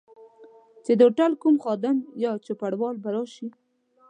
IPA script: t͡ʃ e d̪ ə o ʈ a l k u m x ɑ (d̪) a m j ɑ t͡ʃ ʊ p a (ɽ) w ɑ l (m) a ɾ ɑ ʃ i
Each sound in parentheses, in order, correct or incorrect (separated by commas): correct, correct, incorrect